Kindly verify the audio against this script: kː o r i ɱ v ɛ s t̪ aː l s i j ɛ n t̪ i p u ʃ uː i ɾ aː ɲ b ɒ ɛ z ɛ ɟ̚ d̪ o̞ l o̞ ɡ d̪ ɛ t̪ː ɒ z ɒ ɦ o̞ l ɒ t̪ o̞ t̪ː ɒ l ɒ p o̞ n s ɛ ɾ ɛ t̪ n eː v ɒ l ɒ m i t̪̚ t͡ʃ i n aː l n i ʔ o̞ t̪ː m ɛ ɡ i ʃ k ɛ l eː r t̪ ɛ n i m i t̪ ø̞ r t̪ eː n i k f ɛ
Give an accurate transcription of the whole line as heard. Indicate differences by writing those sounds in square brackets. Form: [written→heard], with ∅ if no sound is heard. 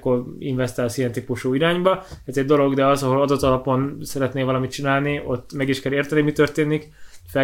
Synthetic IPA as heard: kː o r i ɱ v ɛ s t̪ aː l s i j ɛ n t̪ i p u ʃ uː i ɾ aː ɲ b ɒ ɛ z ɛ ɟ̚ d̪ o̞ l o̞ ɡ d̪ ɛ [t̪ː→∅] ɒ z ɒ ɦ o̞ l ɒ [t̪→d̪] o̞ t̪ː ɒ l ɒ p o̞ n s ɛ ɾ ɛ t̪ n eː v ɒ l ɒ m i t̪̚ t͡ʃ i n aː l n i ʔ o̞ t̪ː m ɛ ɡ i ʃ k ɛ l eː r t̪ ɛ n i m i t̪ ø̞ r t̪ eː n i k f ɛ